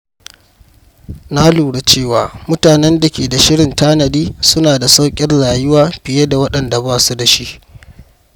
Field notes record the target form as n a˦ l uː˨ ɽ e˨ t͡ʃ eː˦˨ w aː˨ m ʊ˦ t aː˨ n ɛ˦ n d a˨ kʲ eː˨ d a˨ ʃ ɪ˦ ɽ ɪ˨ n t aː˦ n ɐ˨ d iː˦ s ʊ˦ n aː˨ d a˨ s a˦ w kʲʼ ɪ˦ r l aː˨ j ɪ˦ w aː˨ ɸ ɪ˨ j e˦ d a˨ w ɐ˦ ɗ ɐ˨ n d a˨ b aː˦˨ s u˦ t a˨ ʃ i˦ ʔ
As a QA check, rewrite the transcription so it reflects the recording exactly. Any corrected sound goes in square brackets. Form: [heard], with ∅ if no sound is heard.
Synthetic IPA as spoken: n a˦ l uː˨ ɽ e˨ t͡ʃ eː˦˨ w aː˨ m ʊ˦ t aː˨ n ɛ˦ n d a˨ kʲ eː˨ d a˨ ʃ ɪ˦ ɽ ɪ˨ n t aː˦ n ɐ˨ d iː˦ s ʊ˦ n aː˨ d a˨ s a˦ w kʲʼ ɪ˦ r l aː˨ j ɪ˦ w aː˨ ɸ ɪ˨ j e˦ d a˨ w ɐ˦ ɗ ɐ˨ n d a˨ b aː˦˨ s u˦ [d] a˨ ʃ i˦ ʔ